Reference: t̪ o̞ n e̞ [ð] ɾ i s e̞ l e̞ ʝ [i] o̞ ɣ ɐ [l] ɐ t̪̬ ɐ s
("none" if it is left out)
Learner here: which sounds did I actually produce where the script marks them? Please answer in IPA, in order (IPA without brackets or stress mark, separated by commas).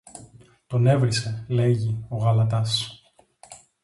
v, i, l